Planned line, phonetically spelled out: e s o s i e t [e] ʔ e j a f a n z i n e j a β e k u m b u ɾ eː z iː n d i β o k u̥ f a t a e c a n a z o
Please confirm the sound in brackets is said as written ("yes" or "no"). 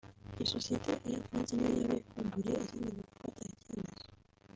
yes